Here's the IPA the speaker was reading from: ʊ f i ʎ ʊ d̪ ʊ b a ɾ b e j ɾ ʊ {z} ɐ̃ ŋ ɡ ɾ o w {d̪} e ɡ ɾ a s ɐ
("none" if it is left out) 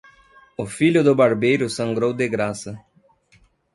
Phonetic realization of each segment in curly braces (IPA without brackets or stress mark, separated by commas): s, d̪